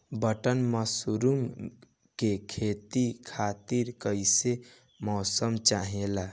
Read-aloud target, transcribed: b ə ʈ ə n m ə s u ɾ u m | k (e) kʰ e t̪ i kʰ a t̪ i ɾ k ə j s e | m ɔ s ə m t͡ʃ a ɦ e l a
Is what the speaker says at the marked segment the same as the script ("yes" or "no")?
yes